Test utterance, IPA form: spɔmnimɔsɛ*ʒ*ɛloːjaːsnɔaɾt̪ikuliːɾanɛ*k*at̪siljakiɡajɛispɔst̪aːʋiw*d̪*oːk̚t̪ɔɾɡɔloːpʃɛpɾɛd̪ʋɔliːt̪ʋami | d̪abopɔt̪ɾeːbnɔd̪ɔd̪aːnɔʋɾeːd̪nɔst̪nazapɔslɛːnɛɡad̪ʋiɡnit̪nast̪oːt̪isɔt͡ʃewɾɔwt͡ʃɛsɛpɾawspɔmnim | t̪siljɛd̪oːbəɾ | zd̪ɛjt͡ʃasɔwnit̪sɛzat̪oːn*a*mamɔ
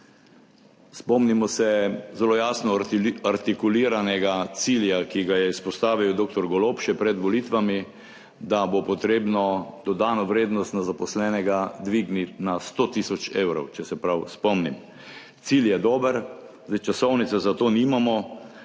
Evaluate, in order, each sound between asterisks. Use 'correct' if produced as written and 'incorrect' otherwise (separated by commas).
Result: incorrect, incorrect, correct, incorrect